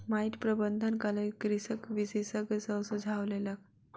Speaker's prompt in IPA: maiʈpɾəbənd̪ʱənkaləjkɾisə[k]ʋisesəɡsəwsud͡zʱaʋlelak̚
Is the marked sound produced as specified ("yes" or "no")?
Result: yes